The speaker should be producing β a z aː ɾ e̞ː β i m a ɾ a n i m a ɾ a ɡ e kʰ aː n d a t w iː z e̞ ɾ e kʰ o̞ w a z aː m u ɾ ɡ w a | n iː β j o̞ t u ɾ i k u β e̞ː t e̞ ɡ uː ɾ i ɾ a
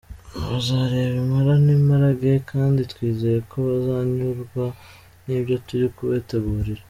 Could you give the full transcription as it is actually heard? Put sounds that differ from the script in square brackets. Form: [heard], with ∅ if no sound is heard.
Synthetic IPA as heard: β a z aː ɾ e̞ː β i m a ɾ a n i m a ɾ a ɡ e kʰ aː n d [i] t w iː z e̞ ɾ e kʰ o̞ [β] a z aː [ɲ] u ɾ ɡ w a | n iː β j o̞ t u ɾ i k u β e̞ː t e̞ ɡ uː ɾ i ɾ a